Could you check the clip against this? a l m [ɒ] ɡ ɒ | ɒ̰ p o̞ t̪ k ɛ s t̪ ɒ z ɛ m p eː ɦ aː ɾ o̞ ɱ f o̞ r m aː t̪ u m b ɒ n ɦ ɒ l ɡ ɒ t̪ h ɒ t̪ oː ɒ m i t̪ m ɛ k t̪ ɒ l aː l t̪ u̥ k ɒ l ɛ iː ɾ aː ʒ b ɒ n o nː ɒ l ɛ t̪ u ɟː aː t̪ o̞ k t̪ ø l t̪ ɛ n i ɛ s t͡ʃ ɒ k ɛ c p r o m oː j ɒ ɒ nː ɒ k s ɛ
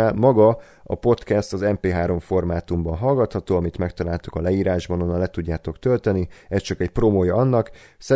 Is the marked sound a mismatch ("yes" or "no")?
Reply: no